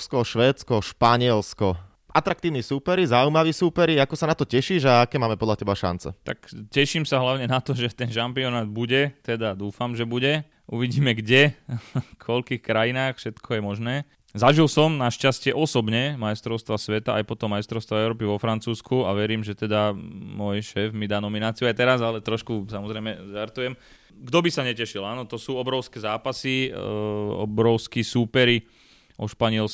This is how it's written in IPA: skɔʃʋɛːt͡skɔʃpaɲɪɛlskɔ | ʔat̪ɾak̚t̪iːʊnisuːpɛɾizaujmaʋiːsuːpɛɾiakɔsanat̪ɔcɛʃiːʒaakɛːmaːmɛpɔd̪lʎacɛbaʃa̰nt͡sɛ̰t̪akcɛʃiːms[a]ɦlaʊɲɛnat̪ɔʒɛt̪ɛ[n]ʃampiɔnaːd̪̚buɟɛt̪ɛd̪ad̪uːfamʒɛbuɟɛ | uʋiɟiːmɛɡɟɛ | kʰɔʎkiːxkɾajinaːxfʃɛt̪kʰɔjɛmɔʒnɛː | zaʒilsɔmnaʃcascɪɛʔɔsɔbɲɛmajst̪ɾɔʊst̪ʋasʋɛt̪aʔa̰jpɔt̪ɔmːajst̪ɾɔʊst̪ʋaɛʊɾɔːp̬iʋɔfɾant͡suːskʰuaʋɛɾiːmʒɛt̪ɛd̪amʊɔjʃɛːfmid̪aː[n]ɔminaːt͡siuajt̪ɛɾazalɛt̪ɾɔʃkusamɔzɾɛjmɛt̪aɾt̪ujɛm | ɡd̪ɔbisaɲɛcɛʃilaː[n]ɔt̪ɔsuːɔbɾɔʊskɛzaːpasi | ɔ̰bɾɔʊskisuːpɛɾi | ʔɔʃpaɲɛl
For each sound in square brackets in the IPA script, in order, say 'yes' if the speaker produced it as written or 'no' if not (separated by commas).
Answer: yes, yes, yes, yes